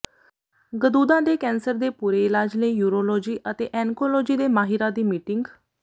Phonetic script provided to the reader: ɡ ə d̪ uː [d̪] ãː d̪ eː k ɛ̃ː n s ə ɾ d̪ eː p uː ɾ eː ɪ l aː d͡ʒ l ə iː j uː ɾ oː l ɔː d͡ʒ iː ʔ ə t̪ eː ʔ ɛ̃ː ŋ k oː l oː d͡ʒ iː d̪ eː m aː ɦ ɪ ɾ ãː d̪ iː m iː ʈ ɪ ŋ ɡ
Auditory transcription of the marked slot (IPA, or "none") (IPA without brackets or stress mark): d̪